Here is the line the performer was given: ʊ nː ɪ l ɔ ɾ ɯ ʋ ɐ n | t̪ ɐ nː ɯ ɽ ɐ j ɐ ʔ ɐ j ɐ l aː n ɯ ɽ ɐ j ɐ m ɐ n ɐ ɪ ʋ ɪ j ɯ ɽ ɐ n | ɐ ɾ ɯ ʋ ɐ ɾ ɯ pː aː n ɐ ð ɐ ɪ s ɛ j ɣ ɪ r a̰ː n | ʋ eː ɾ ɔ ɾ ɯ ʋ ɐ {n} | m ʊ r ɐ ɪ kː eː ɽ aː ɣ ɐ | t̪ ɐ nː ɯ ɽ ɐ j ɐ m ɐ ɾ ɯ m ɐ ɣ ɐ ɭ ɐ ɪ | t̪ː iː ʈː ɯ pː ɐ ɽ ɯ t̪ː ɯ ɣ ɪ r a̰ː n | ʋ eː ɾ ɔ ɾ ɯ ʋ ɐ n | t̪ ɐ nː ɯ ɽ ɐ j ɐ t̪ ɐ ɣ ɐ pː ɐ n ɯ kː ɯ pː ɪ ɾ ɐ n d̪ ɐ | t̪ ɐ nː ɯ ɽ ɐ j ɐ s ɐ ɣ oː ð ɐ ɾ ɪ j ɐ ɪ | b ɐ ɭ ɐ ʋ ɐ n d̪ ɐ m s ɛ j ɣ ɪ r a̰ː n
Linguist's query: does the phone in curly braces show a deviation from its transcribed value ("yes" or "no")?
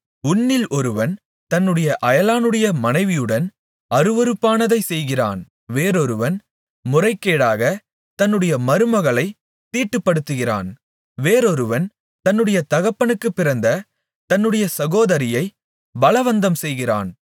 no